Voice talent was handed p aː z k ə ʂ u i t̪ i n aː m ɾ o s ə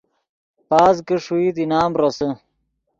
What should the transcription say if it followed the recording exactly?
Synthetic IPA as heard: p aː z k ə ʂ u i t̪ i n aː m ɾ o s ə